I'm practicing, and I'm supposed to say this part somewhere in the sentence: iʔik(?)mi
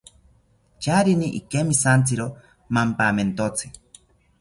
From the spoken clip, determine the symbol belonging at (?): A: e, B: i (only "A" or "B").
A